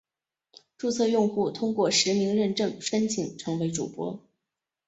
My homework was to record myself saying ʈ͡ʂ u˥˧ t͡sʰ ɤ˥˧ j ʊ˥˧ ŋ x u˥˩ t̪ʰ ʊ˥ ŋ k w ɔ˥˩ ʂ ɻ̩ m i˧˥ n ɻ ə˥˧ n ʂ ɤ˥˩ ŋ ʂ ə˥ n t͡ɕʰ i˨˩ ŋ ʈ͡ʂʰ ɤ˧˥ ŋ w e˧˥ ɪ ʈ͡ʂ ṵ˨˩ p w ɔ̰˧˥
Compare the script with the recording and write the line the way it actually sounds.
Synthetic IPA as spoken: ʈ͡ʂ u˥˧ t͡sʰ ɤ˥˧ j ʊ˥˧ ŋ x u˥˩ t̪ʰ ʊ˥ ŋ k w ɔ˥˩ ʂ ɻ̩ m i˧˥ ŋ ɻ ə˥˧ n ʈ͡ʂ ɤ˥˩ ŋ ʂ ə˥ n t͡ɕʰ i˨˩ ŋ ʈ͡ʂʰ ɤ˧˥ ŋ w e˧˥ ɪ ʈ͡ʂ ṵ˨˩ p w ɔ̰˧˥